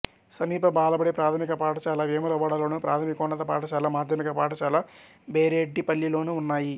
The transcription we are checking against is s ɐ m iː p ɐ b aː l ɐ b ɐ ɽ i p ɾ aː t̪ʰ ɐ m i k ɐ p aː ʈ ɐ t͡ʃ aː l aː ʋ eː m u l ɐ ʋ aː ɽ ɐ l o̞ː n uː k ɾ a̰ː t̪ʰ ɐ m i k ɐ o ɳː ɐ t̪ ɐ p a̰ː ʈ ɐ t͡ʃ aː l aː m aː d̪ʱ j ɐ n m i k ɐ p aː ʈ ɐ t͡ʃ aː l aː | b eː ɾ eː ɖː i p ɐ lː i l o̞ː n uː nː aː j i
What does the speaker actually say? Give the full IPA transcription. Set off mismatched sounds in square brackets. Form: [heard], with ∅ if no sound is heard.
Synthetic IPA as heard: s ɐ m iː p ɐ b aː l ɐ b ɐ ɽ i p ɾ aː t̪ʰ ɐ m i k ɐ p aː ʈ ɐ t͡ʃ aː l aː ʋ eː m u l ɐ ʋ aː ɽ ɐ l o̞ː n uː [p] ɾ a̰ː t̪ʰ ɐ m i k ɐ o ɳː ɐ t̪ ɐ p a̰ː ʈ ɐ t͡ʃ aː l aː m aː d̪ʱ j ɐ [∅] m i k ɐ p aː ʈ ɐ t͡ʃ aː l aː | b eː ɾ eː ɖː i p ɐ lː i l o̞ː n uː nː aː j i